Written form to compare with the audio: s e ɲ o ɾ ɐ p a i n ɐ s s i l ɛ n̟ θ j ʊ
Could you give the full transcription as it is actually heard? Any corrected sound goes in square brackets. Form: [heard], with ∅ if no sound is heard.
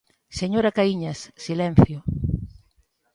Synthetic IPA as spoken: s e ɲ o ɾ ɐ [k] a i [ɲ] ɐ s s i l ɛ n̟ θ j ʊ